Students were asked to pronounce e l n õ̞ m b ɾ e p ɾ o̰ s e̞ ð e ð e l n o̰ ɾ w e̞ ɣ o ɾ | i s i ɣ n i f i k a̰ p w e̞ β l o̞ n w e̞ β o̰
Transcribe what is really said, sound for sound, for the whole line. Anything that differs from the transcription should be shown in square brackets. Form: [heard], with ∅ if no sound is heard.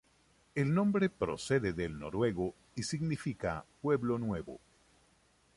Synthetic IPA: e l n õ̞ m b ɾ e p ɾ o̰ s e̞ ð e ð e l n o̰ ɾ w e̞ ɣ o [∅] | i s i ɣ n i f i k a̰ p w e̞ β l o̞ n w e̞ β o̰